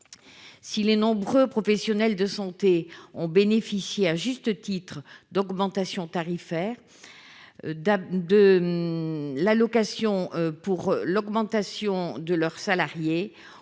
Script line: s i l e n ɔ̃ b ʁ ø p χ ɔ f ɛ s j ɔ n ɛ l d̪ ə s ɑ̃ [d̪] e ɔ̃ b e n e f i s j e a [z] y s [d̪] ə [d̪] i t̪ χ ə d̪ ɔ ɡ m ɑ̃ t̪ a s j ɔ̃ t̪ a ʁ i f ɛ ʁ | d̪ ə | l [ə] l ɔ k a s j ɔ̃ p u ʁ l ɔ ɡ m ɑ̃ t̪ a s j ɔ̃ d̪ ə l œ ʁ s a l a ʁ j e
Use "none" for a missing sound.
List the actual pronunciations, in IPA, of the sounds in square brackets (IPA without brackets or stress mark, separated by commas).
t̪, ʒ, t̪, t̪, a